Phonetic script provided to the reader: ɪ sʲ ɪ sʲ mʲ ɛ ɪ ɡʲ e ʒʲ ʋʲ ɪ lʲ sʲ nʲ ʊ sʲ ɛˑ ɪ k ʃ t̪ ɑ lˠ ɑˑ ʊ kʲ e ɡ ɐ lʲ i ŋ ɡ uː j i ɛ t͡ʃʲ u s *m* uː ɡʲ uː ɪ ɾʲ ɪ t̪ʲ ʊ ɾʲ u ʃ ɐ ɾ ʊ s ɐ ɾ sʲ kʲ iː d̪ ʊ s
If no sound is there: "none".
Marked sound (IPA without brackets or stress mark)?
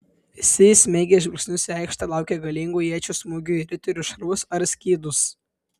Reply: m